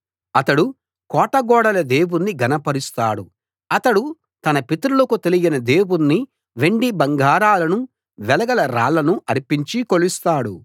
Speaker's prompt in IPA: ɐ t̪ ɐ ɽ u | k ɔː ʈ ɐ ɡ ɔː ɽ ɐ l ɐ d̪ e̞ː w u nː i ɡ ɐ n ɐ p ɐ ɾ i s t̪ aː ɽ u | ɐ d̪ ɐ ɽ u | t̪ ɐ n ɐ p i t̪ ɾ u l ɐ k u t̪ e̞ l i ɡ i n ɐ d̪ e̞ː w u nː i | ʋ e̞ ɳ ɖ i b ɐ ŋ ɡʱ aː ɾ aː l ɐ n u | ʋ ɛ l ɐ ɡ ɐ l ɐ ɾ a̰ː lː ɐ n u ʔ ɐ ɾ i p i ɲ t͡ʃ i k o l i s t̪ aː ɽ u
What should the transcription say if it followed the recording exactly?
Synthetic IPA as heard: ɐ t̪ ɐ ɽ u | k ɔː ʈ ɐ ɡ ɔː ɽ ɐ l ɐ d̪ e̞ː w u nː i ɡ ɐ n ɐ p ɐ ɾ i s t̪ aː ɽ u | ɐ t̪ ɐ ɽ u | t̪ ɐ n ɐ p i t̪ ɾ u l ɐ k u t̪ e̞ l i ɡ i n ɐ d̪ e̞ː w u nː i | ʋ e̞ ɳ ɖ i b ɐ ŋ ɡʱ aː ɾ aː l ɐ n u | ʋ ɛ l ɐ ɡ ɐ l ɐ ɾ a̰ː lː ɐ n u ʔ ɐ ɾ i p i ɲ t͡ʃ i k o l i s t̪ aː ɽ u